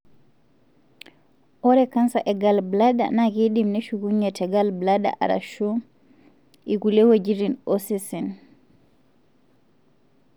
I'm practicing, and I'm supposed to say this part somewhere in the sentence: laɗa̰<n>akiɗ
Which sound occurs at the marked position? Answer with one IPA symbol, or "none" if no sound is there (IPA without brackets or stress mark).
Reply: n